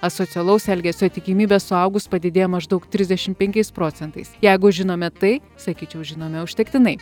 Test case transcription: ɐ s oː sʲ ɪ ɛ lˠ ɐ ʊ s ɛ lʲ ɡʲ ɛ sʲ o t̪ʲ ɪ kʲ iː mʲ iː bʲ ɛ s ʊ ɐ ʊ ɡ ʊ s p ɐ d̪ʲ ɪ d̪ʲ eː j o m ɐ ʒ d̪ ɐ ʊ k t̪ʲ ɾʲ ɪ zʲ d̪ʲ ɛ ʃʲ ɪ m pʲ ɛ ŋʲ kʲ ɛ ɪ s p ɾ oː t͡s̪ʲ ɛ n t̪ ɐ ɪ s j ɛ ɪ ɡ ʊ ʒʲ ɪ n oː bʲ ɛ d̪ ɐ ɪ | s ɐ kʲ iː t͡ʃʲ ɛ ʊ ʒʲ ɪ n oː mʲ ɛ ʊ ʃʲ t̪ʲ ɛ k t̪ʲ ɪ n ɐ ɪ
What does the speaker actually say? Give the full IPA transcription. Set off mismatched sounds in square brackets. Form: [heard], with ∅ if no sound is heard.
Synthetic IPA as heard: ɐ s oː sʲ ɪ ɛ lˠ ɐ ʊ s ɛ lʲ ɡʲ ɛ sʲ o t̪ʲ ɪ kʲ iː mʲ iː bʲ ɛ s ʊ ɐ ʊ ɡ ʊ s p ɐ d̪ʲ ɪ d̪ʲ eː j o m ɐ ʒ d̪ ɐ ʊ k t̪ʲ ɾʲ ɪ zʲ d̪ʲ ɛ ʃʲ ɪ m pʲ ɛ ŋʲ kʲ ɛ ɪ s p ɾ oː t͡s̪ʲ ɛ n t̪ ɐ ɪ s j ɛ ɪ ɡ ʊ ʒʲ ɪ n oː [mʲ] ɛ [t̪] ɐ ɪ | s ɐ kʲ iː t͡ʃʲ ɛ ʊ ʒʲ ɪ n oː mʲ ɛ ʊ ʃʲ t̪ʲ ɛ k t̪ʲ ɪ n ɐ ɪ